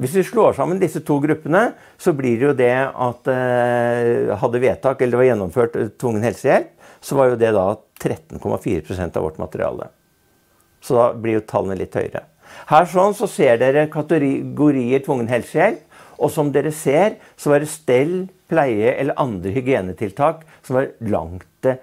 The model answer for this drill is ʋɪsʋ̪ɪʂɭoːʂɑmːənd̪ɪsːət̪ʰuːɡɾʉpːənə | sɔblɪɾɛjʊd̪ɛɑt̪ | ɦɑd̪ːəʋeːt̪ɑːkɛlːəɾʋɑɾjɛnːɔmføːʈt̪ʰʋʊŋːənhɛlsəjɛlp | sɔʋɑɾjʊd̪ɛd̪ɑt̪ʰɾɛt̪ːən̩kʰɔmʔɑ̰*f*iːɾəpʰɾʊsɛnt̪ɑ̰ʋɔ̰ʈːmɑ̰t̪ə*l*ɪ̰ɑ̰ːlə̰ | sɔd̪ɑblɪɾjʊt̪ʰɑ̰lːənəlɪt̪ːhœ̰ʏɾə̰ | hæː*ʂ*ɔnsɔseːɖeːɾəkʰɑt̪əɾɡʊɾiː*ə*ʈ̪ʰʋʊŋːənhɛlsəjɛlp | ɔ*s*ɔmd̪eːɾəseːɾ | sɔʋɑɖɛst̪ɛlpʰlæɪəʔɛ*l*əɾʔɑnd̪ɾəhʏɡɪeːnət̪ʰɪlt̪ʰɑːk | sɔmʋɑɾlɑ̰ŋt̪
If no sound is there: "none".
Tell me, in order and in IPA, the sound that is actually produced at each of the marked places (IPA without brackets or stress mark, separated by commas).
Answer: f, ɾ, ʂ, ə, s, lː